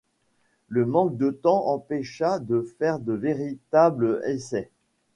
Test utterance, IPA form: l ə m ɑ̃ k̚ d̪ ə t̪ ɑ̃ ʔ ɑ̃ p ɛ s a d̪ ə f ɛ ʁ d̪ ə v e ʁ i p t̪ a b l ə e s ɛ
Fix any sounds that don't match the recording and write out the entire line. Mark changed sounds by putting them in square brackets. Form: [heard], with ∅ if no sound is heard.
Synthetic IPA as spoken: l ə m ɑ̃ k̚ d̪ ə t̪ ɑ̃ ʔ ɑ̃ p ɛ [ʃ] a d̪ ə f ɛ ʁ d̪ ə v e ʁ i [∅] t̪ a b l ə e s ɛ

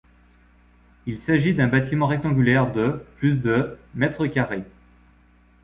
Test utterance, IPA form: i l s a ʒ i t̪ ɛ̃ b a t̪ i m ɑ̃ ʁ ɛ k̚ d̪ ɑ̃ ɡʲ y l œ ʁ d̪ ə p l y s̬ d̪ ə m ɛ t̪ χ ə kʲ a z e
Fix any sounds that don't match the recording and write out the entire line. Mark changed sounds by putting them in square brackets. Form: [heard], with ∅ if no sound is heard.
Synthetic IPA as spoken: i l s a ʒ i [d̪] ɛ̃ b a t̪ i m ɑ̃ ʁ ɛ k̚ [t̪] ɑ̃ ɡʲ y l [ɛ] ʁ d̪ ə p l y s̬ d̪ ə m ɛ t̪ χ ə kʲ a [ʁ] e

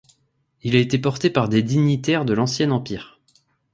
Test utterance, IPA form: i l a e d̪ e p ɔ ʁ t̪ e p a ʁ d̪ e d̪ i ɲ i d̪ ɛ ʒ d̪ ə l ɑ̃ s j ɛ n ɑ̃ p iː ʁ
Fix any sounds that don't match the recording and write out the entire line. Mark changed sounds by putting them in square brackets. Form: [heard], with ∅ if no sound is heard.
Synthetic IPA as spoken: i l a e [t̪] e p ɔ ʁ t̪ e p a ʁ d̪ e d̪ i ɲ i [t̪] ɛ [ʁ] d̪ ə l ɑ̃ s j ɛ n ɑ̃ p iː ʁ

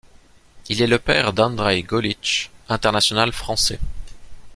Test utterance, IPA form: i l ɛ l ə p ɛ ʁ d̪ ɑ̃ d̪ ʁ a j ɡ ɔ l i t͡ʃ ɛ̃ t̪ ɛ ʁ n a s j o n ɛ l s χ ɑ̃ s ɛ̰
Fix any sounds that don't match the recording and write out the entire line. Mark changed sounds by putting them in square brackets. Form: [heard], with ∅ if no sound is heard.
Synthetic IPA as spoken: i l ɛ l ə p ɛ ʁ d̪ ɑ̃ d̪ ʁ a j ɡ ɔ l i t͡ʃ ɛ̃ t̪ ɛ ʁ n a s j [ɔ] n [a] l [f] χ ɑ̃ s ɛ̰

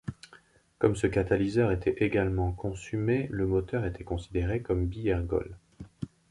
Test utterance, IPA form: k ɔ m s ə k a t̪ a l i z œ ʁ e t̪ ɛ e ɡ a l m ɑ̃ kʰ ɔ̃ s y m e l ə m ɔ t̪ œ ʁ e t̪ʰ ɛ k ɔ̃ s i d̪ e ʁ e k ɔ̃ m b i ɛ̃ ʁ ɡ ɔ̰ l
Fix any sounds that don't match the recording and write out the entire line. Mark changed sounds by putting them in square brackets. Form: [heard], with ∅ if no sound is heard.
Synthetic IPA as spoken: k ɔ m s ə k a t̪ a l i z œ ʁ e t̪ ɛ e ɡ a l m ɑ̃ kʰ ɔ̃ s y m e l ə m ɔ t̪ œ ʁ e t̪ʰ ɛ k ɔ̃ s i d̪ e ʁ e k [ɔ] m b i [ɛ] ʁ ɡ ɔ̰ l

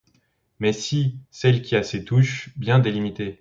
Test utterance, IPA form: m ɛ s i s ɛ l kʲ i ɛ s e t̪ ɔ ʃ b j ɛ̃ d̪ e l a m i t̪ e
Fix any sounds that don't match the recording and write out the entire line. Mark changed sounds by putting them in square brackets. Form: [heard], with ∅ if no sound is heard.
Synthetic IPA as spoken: m ɛ s i s ɛ l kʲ i [a] s e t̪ [u] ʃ b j ɛ̃ d̪ e l [i] m i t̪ e

